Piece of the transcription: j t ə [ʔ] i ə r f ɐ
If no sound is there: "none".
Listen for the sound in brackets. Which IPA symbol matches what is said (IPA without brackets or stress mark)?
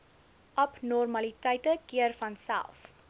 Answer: k